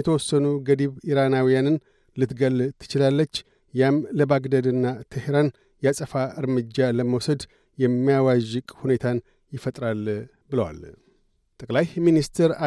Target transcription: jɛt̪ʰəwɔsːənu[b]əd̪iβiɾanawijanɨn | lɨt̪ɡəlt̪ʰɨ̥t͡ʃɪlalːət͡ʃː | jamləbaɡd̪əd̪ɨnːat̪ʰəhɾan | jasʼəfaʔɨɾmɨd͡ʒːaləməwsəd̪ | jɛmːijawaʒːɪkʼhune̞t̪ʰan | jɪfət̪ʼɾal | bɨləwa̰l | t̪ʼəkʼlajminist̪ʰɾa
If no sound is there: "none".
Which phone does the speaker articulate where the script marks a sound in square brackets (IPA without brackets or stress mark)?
ɡ